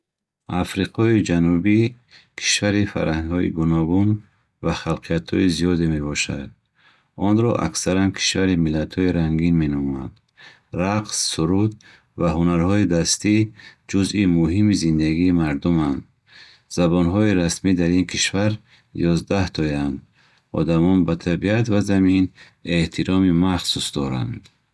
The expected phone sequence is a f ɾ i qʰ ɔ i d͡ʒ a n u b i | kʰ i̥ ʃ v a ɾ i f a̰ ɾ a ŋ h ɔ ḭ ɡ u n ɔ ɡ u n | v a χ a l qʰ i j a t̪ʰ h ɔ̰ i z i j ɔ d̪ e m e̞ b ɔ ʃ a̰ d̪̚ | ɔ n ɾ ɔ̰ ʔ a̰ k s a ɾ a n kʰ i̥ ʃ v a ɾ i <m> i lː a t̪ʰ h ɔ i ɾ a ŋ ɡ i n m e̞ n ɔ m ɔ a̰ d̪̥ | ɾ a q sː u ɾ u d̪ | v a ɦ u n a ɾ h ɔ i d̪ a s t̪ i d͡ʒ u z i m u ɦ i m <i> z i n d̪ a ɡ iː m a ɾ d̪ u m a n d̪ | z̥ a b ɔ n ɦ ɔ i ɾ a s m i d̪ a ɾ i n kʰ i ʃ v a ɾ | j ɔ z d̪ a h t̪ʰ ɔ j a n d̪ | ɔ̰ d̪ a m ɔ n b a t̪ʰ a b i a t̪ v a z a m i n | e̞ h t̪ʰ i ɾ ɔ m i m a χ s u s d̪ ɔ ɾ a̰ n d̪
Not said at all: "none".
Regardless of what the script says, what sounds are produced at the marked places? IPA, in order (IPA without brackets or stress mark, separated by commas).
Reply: m, i